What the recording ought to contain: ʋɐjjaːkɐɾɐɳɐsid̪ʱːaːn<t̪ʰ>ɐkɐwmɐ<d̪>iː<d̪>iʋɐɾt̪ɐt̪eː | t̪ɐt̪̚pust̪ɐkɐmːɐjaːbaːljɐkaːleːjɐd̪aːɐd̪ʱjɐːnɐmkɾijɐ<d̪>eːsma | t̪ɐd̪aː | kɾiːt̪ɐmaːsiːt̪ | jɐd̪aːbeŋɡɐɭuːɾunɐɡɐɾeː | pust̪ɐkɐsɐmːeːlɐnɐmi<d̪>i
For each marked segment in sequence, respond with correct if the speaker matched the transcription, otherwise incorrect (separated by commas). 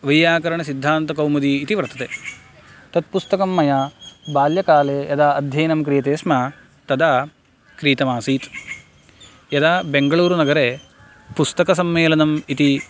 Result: incorrect, correct, incorrect, incorrect, incorrect